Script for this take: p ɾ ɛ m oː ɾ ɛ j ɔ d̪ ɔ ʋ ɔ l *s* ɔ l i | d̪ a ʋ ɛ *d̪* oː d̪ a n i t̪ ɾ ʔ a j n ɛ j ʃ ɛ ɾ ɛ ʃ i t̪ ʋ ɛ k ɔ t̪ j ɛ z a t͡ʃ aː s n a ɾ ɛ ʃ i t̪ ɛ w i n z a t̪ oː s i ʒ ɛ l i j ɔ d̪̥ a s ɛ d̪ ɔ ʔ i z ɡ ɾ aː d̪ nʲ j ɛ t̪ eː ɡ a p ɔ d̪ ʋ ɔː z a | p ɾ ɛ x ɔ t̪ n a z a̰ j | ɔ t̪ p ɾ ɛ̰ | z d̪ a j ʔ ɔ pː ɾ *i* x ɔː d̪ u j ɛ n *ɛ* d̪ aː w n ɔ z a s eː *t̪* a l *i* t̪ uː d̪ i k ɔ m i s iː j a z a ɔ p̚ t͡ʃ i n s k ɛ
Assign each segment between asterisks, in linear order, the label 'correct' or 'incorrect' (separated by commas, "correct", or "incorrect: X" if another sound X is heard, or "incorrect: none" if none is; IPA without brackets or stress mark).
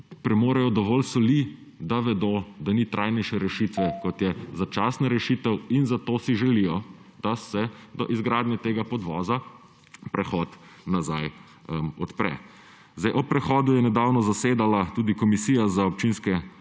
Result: correct, correct, incorrect: ɛ, correct, incorrect: d̪, incorrect: a